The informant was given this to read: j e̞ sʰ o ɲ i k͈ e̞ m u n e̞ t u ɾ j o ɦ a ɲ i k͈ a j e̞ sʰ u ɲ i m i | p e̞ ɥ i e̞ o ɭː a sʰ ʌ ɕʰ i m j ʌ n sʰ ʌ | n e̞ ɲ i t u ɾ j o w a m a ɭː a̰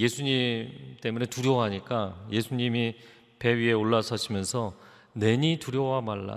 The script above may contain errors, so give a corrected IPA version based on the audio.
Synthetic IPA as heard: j e̞ sʰ u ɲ i t͈ e̞ m u n e̞ t u ɾ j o ɦ a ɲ i k͈ a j e̞ sʰ u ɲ i m i | p e̞ ɥ i e̞ o ɭː a sʰ ʌ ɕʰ i m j ʌ n sʰ ʌ | n e̞ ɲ i t u ɾ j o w a m a ɭː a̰